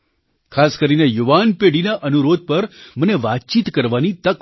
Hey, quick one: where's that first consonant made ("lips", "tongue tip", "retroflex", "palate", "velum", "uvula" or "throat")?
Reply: velum